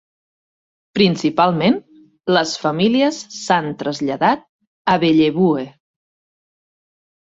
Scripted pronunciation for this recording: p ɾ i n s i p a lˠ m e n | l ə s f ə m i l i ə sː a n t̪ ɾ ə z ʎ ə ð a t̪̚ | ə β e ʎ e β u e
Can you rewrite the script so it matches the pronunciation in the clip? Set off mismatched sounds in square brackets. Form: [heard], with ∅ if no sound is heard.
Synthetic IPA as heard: p ɾ i n s i p a lˠ m e n | l ə s f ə m i l i ə sː a n t̪ ɾ ə z ʎ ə ð a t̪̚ | ə β e ʎ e β u e